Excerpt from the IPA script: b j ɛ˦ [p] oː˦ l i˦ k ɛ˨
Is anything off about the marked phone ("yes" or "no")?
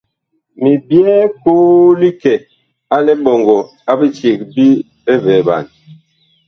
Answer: yes